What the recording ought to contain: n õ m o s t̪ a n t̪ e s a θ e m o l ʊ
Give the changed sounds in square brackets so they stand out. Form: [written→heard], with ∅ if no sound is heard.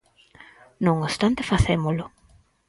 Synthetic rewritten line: n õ [m→ŋ] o s t̪ a n t̪ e [s→f] a θ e m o l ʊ